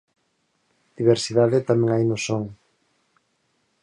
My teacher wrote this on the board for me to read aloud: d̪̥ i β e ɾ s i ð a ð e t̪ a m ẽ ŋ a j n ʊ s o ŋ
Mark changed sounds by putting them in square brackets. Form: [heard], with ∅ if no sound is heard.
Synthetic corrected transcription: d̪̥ i β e ɾ s i ð a ð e t̪ a m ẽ ŋ a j n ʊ s o ŋ